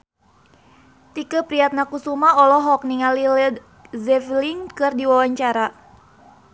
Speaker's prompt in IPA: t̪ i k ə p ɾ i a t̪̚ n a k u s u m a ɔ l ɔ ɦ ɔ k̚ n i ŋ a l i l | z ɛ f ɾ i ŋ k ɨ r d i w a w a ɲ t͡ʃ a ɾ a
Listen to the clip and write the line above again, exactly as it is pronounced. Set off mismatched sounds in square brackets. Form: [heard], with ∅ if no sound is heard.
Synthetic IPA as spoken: t̪ i k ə p ɾ i a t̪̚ n a k u s u m a ɔ l ɔ ɦ ɔ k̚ n i ŋ a l i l | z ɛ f [l] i ŋ k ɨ r d i w a w a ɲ t͡ʃ a ɾ a